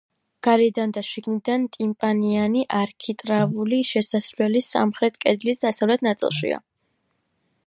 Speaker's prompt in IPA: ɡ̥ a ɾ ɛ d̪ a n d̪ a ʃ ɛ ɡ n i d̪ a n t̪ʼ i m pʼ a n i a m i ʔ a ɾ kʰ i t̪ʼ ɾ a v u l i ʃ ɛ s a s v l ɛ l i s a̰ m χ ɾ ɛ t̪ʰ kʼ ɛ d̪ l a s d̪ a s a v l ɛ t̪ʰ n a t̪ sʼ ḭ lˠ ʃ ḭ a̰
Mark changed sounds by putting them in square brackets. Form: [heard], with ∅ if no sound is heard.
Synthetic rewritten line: ɡ̥ a ɾ ɛ d̪ a n d̪ a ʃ [i] ɡ n i d̪ a n t̪ʼ i m pʼ a n i a [n] i ʔ a ɾ kʰ i t̪ʼ ɾ a v u l i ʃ ɛ s a s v l ɛ l i s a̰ m χ ɾ ɛ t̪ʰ kʼ ɛ d̪ l [i] s d̪ a s a v l ɛ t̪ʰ n a t̪ sʼ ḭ lˠ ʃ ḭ a̰